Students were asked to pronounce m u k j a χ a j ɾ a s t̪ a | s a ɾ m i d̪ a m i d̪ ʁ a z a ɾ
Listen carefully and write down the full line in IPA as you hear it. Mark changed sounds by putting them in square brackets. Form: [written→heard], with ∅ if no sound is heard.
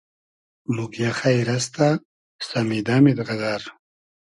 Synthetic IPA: m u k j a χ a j ɾ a s t̪ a | s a [ɾ→∅] m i d̪ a m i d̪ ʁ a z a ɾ